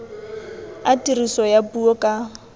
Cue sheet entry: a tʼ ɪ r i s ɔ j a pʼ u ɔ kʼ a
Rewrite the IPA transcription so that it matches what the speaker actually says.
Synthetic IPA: a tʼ i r i s ɔ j a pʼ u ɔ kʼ a